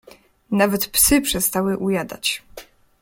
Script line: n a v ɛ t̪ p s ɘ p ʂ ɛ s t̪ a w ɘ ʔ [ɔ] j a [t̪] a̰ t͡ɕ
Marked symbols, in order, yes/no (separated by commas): no, no